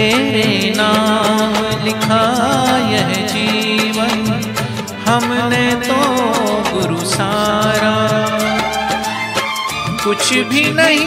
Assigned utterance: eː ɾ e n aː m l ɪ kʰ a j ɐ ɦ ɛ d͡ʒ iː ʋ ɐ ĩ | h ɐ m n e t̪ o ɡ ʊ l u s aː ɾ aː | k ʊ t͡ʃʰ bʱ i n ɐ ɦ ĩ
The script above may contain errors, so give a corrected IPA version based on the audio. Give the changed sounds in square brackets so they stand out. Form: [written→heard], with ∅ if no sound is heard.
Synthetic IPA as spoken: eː ɾ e n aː m l ɪ kʰ a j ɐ ɦ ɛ d͡ʒ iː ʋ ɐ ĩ | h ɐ m n e t̪ o ɡ ʊ [l→ɾ] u s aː ɾ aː | k ʊ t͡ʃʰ bʱ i n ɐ ɦ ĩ